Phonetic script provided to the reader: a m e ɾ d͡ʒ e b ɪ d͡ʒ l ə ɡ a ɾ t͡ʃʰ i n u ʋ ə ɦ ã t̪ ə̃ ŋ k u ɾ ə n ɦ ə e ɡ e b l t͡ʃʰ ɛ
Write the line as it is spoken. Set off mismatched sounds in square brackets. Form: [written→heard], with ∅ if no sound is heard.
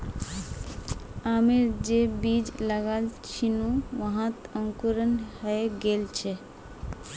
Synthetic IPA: a m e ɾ d͡ʒ e b [ɪ→i] d͡ʒ l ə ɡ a [ɾ→l] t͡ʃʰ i n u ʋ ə ɦ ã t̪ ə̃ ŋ k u ɾ ə n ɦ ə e ɡ e [b→∅] l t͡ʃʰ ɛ